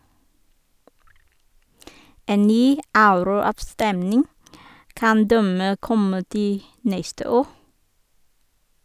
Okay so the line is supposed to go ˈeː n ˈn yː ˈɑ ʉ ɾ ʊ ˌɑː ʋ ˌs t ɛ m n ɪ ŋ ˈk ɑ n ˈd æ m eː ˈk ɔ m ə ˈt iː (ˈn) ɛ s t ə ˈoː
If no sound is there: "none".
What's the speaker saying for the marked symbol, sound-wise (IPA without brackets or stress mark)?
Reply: n